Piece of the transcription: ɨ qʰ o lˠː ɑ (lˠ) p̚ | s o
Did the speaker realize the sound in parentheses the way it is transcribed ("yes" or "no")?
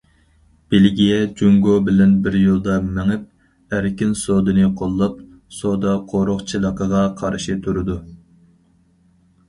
no